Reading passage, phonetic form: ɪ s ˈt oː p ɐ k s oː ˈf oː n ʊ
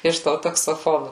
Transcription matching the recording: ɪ ʃ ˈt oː t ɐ k s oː ˈf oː n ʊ